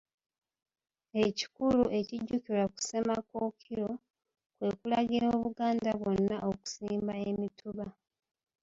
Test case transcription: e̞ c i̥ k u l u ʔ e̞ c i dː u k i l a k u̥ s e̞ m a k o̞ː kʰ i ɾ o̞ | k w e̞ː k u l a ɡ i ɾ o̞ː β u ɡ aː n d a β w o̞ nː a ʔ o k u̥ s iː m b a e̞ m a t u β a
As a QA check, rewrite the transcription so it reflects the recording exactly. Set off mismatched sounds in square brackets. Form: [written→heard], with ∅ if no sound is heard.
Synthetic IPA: e̞ c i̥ k u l u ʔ e̞ c i [dː→ɟː] u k i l a k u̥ s e̞ m a k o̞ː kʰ i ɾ o̞ | k w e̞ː k u l a ɡ i ɾ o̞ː β u ɡ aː n d a β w o̞ nː a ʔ o k u̥ s iː m b a e̞ m [a→i] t u β a